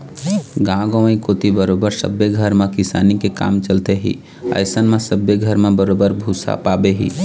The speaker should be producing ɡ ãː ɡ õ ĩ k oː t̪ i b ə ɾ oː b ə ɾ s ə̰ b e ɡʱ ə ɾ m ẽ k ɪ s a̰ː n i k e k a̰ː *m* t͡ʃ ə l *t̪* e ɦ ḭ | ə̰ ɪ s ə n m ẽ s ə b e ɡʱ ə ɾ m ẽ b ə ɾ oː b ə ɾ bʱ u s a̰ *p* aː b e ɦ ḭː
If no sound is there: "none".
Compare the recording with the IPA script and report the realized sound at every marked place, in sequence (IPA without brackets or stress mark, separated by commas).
m, t̪, p